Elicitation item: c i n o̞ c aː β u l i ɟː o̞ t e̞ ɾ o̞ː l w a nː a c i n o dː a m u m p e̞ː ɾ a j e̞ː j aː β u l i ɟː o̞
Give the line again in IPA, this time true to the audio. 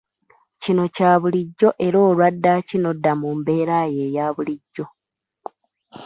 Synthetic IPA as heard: c i n o̞ c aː β u l i ɟː o̞ ʔ e̞ ɾ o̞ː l w a dː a c i n o dː a m u m b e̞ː ɾ a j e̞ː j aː β u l i ɟː o̞